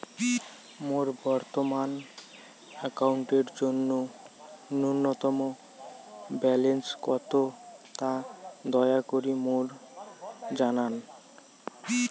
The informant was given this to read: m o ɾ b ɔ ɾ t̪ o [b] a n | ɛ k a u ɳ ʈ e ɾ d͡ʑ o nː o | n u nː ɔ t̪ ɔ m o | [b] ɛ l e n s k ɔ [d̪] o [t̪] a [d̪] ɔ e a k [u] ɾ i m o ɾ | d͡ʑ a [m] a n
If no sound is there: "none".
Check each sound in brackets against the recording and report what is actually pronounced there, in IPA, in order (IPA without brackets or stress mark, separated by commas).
m, b, t̪, t̪, d̪, o, n